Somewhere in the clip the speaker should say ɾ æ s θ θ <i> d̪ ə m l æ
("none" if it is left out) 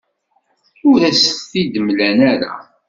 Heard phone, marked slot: i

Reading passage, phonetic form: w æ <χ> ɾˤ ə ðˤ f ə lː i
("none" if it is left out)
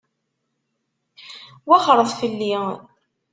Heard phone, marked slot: χ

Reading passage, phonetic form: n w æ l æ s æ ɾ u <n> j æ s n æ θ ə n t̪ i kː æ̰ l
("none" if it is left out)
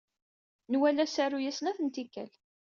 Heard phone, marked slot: none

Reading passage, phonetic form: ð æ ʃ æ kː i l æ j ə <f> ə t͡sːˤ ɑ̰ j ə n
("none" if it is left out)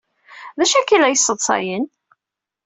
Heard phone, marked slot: s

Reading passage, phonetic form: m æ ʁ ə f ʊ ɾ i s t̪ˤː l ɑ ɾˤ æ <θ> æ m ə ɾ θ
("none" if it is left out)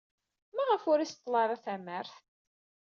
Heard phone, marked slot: θ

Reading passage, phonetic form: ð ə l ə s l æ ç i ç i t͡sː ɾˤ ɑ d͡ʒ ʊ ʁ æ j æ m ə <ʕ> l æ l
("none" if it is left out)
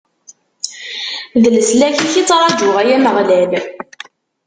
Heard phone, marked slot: ʁ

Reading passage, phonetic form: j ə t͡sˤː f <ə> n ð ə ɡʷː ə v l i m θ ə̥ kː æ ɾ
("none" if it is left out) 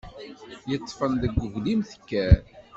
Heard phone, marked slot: ə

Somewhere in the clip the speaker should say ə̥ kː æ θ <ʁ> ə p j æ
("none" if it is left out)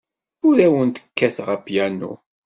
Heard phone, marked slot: ʁ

